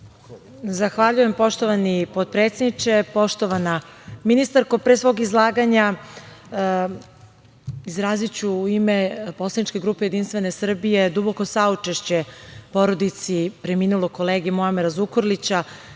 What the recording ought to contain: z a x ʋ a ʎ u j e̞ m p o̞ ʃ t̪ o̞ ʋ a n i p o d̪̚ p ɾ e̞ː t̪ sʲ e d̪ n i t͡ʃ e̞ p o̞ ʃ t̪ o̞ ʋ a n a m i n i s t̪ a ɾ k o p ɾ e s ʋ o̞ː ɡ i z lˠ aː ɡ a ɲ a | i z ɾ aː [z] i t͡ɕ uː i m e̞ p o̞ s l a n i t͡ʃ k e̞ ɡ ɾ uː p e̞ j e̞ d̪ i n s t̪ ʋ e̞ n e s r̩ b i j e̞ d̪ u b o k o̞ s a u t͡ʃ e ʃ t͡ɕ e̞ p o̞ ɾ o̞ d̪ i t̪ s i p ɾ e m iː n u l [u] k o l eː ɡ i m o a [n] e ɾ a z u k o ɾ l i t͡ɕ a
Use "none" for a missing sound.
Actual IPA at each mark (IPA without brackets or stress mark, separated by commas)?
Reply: z, o, m